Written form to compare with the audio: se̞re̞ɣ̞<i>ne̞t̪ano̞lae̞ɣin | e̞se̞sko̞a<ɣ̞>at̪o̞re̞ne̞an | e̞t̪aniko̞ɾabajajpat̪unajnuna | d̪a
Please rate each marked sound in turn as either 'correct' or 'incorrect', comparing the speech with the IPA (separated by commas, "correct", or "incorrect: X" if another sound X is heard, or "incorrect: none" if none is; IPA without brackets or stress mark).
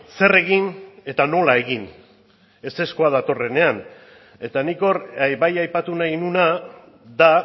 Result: correct, incorrect: ð̞